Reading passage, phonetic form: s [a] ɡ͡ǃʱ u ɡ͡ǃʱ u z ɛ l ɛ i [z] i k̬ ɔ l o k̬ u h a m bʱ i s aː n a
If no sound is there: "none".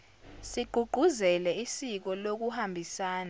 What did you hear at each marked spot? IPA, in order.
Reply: i, s

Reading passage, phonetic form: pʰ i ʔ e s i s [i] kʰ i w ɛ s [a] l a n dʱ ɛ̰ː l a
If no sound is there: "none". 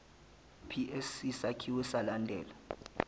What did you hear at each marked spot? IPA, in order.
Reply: a, a

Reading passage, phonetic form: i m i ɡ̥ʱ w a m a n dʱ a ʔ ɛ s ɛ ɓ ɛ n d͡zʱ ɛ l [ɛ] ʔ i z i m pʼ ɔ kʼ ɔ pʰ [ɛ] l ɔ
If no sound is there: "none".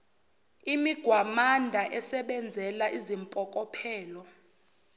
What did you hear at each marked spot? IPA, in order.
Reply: a, ɛː

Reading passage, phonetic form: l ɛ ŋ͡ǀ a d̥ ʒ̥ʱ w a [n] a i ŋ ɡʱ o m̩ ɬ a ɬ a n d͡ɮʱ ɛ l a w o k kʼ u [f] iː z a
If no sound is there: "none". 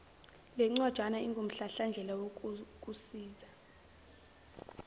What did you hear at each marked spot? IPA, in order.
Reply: n, s

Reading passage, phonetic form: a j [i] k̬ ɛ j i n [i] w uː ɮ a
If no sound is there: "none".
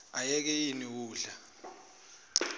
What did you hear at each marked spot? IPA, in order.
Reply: ɛ, i

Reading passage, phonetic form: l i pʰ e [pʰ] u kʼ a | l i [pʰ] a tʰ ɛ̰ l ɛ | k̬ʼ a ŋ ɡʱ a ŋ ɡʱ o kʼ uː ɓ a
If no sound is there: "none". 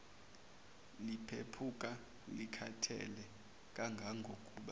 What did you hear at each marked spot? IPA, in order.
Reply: pʰ, kʰ

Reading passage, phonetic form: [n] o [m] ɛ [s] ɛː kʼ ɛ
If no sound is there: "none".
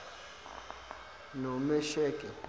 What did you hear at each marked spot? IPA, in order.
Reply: n, m, ʃ

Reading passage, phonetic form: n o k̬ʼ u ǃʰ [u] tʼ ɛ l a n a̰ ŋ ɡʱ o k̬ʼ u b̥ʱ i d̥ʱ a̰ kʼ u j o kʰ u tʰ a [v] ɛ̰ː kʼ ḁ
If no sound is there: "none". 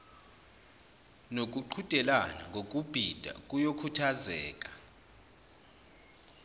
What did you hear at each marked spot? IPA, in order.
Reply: u, z

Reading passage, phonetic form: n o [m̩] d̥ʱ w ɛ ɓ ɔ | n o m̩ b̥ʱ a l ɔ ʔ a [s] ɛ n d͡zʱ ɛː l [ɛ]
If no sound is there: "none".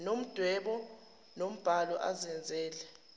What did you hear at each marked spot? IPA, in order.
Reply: m̩, z, ɛ

